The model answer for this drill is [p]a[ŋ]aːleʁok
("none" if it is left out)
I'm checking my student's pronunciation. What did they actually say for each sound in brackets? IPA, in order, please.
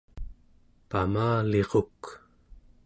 p, m

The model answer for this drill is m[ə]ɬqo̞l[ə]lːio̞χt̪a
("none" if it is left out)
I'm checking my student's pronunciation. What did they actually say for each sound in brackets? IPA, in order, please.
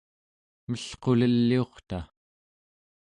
ə, ə

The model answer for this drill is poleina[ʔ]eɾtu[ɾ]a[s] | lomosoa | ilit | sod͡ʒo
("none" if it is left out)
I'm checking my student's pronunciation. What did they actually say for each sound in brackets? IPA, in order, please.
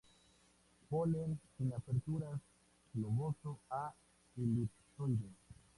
p, ɾ, s

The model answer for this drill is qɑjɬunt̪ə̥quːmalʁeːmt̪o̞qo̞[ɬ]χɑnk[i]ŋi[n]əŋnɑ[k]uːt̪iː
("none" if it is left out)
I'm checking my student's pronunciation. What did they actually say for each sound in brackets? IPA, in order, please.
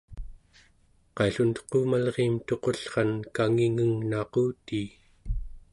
ɬ, a, ŋ, q

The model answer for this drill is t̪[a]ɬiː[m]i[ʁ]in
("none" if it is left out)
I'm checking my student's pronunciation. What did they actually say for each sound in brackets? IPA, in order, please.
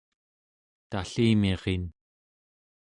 a, m, ʁ

